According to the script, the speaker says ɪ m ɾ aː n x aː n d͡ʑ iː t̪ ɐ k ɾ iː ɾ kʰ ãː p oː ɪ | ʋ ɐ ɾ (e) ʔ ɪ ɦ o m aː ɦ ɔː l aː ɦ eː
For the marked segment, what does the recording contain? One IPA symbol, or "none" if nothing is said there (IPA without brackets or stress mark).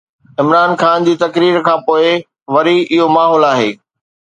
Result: i